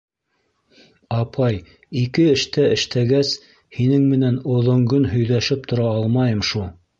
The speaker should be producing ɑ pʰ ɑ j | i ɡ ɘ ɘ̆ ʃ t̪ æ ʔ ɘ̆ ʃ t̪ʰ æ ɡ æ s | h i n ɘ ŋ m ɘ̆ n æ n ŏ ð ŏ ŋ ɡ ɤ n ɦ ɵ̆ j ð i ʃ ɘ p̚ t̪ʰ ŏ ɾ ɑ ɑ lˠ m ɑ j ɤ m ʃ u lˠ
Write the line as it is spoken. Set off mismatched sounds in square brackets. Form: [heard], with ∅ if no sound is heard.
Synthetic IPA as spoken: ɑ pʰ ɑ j | i [k] ɘ ɘ̆ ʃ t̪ æ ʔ ɘ̆ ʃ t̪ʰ æ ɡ æ s | h i n ɘ ŋ m ɘ̆ n æ n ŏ ð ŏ ŋ ɡ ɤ n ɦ ɵ̆ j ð [æ] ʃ ɘ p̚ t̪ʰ ŏ ɾ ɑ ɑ lˠ m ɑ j ɤ m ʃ u lˠ